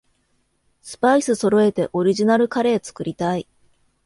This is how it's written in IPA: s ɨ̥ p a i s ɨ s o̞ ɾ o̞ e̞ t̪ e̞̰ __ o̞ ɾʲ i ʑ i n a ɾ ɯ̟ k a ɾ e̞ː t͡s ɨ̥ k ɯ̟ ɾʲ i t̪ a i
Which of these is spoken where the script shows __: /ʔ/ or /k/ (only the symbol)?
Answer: ʔ